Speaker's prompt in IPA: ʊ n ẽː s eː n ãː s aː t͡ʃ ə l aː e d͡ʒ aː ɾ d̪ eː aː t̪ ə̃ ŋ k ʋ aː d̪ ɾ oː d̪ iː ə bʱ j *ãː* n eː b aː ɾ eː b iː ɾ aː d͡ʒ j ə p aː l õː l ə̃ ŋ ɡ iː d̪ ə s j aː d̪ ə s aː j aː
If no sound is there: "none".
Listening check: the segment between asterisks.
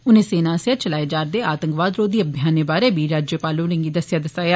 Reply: aː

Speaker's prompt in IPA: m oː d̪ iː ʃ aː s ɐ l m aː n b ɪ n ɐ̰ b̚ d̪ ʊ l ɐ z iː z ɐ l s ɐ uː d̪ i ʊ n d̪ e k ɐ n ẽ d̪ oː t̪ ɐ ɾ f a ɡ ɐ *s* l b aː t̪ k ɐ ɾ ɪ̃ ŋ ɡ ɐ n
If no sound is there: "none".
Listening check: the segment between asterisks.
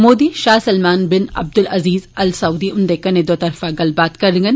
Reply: none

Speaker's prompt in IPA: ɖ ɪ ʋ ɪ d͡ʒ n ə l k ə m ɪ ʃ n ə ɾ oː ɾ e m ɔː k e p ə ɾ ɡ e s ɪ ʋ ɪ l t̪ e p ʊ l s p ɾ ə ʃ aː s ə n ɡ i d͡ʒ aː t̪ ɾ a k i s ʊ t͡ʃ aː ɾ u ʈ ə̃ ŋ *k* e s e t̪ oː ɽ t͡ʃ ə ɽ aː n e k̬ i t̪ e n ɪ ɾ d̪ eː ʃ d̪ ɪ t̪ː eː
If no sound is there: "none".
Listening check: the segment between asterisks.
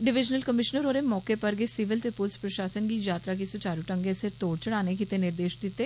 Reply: ɡ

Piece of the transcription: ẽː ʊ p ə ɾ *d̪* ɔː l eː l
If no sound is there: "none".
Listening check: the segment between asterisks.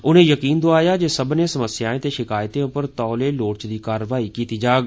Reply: t̪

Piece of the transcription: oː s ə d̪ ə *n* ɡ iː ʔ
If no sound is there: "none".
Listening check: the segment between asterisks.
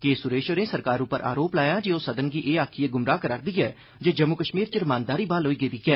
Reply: n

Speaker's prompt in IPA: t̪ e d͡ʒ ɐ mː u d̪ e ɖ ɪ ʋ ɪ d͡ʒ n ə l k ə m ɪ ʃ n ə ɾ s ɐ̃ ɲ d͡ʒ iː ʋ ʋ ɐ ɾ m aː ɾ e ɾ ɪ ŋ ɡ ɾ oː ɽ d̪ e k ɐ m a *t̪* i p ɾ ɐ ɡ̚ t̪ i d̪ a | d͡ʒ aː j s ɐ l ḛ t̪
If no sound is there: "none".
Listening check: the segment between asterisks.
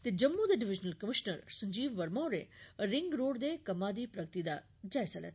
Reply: d̪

